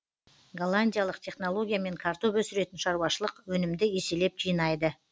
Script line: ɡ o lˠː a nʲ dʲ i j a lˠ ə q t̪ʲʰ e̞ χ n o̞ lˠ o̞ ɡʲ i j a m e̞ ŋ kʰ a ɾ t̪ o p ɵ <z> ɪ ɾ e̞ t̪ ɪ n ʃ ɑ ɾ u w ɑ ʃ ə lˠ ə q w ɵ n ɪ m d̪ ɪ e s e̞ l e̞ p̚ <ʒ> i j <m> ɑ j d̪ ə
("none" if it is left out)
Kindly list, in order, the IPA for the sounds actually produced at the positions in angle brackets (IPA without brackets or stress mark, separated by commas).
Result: s, ʒ, n